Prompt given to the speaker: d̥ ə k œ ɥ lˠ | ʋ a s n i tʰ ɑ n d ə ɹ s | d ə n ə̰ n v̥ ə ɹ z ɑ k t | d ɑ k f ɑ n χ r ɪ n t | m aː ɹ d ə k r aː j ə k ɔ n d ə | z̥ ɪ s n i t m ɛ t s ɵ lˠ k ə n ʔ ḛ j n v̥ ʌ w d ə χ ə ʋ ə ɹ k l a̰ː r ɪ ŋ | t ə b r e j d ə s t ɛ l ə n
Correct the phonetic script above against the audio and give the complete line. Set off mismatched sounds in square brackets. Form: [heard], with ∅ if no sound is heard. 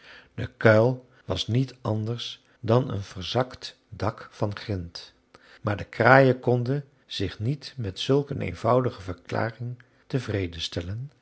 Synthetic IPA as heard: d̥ ə k œ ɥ lˠ | ʋ [ɑ] s n i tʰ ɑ n d ə ɹ s | d [ɑ] n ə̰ n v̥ ə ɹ z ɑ k t | d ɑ k f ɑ n χ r ɪ n t | m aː ɹ d ə k r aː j ə k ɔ n d ə | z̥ ɪ [χ] n i t m ɛ t s ɵ lˠ k ə n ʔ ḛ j n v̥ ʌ w d ə χ ə [v] ə ɹ k l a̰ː r ɪ ŋ | t ə [v] r e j d ə s t ɛ l ə n